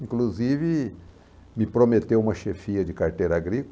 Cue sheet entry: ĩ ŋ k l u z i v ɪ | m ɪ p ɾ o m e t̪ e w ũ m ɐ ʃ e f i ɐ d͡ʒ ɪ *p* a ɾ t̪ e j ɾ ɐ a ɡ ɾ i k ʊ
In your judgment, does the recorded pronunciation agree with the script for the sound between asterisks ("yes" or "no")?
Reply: no